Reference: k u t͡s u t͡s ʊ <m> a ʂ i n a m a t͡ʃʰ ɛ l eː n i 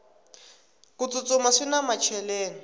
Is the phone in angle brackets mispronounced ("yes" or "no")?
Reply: no